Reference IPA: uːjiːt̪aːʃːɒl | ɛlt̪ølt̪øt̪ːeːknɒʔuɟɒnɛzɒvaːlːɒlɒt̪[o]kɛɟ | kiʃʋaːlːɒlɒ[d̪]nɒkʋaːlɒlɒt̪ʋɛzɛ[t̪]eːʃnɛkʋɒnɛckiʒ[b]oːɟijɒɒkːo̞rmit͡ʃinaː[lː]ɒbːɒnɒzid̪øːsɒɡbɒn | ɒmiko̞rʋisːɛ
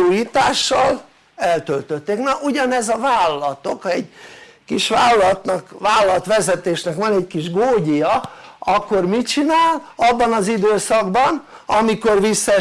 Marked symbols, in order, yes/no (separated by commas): yes, no, yes, no, no